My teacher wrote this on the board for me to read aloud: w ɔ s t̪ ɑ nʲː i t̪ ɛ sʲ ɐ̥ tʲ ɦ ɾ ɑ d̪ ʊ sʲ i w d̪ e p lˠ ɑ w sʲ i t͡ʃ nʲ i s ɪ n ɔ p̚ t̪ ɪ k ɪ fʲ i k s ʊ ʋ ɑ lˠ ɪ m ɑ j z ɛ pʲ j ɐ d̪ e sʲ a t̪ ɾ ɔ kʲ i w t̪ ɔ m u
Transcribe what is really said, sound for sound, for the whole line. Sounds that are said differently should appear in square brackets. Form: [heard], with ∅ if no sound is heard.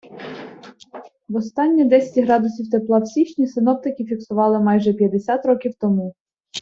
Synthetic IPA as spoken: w ɔ s t̪ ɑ nʲː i [d̪] ɛ sʲ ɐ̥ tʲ ɦ ɾ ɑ d̪ ʊ sʲ i w [t̪] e p lˠ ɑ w sʲ i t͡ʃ nʲ i s ɪ n ɔ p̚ t̪ ɪ k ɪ fʲ i k s ʊ ʋ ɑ lˠ ɪ m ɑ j [ʒ] ɛ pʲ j ɐ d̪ e sʲ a t̪ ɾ ɔ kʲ i w t̪ ɔ m u